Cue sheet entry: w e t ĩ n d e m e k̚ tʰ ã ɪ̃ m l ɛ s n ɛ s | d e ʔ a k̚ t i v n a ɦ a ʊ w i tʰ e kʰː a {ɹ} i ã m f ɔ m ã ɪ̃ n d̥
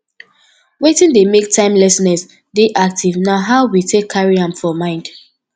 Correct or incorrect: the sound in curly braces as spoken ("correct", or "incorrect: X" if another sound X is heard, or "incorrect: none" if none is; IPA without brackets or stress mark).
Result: correct